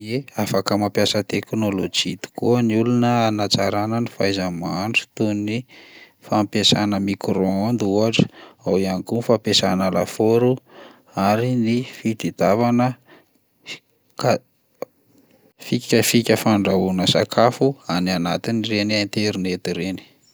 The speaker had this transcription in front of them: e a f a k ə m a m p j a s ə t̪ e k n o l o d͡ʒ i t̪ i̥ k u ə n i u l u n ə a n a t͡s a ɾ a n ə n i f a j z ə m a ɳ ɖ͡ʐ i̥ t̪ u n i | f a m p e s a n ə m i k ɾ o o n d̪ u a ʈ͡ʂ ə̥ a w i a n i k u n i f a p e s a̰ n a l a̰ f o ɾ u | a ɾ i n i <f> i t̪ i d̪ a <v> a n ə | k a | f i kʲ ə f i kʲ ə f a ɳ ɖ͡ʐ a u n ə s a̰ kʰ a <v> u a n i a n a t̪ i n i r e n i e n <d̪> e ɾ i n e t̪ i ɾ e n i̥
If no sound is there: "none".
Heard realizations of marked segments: f, v, f, t̪

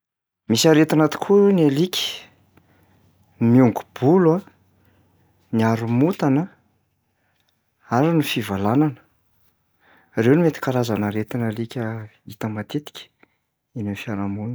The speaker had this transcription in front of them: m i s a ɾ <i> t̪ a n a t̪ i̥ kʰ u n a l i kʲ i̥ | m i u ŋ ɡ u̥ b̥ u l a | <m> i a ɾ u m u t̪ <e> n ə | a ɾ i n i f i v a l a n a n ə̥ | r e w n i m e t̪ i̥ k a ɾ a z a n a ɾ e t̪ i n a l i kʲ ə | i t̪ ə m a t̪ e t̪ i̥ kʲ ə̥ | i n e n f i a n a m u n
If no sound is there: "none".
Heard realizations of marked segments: e, n, a

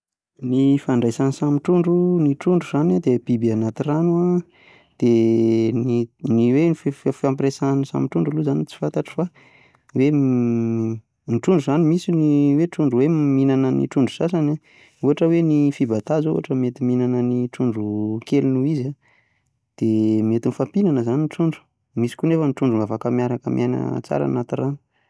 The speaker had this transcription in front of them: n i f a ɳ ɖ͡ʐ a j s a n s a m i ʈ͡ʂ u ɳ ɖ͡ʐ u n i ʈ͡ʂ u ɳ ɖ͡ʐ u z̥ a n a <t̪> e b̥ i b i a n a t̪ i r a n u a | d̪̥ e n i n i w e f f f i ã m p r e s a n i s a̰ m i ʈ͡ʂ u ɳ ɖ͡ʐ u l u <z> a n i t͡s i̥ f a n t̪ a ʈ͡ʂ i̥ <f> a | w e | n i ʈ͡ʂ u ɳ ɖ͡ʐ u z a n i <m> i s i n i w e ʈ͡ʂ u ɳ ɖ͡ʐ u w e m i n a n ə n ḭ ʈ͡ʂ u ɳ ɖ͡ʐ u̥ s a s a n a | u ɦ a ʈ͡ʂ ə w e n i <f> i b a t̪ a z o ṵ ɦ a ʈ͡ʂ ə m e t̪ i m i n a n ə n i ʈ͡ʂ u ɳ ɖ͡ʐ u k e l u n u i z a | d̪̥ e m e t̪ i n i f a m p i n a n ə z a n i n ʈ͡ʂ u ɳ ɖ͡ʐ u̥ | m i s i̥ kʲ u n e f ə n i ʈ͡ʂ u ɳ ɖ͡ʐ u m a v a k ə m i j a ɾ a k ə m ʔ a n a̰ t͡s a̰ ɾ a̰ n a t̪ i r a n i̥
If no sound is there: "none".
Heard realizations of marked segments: d̪, z, f, m, f

